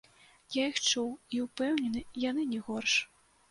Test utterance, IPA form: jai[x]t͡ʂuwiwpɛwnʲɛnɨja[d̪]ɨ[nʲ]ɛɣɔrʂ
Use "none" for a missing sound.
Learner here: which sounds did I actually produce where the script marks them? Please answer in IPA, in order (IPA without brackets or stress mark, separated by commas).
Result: x, n̪, nʲ